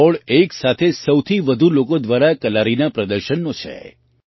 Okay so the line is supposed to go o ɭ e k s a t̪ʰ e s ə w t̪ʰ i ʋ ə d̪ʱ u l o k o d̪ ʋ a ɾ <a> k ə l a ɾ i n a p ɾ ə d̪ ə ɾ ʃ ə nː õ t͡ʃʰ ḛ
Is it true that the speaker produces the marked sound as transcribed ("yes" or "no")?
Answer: yes